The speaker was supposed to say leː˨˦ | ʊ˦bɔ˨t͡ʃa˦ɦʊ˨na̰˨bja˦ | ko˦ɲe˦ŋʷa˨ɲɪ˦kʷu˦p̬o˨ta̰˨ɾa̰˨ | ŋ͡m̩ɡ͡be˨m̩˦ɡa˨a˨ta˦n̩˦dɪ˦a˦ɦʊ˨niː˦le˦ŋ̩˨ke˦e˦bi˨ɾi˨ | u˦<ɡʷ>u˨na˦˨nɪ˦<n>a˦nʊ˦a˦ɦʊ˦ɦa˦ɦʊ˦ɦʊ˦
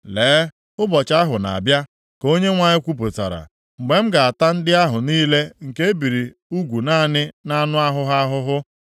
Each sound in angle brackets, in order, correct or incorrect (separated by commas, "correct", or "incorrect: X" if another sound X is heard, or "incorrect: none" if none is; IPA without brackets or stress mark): correct, correct